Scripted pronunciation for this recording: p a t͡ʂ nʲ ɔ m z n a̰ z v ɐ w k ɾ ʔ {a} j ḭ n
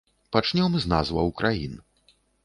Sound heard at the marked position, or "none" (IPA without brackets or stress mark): a